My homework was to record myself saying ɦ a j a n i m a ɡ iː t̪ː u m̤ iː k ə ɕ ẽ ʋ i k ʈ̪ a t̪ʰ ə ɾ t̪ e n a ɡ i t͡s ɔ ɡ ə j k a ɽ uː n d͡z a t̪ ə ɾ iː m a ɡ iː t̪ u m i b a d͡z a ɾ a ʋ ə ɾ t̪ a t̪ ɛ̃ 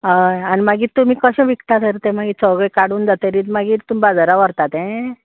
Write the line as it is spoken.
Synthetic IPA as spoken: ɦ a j a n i m a ɡ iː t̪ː u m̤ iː k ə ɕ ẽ ʋ i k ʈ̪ a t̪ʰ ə ɾ t̪ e m a ɡ i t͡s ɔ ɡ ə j k a ɽ uː n d͡z a t̪ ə ɾ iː m a ɡ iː t̪ u m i b a d͡z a ɾ a ʋ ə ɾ t̪ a t̪ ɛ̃